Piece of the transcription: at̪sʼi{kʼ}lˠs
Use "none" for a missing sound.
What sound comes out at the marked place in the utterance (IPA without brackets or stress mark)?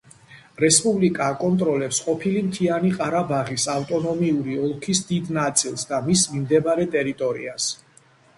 none